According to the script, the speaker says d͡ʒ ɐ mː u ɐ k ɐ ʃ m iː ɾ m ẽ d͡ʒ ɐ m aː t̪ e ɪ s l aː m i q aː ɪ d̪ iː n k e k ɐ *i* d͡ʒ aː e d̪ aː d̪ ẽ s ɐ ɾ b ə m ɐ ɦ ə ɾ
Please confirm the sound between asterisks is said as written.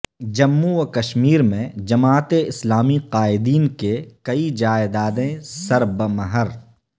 yes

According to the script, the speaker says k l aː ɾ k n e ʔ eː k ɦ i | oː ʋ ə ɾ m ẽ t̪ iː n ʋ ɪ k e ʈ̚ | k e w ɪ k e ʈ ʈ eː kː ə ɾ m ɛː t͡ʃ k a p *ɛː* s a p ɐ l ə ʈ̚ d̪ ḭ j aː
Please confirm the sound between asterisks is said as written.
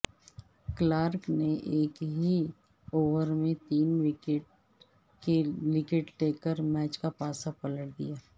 no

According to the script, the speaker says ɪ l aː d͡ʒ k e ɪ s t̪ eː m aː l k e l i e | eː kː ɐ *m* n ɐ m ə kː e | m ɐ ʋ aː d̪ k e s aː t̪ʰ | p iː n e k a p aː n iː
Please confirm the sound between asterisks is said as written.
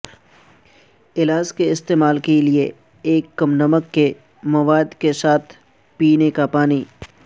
yes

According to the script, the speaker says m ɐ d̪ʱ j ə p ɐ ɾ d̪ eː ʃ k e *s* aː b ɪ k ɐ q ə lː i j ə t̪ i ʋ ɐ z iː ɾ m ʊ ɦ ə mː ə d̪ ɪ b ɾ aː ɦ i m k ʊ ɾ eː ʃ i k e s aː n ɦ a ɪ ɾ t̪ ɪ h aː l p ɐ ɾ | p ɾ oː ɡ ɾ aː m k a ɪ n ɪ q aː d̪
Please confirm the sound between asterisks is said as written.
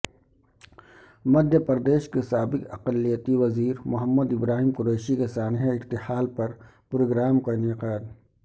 yes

